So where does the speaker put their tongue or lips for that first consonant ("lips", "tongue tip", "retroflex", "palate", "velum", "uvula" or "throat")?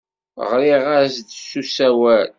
uvula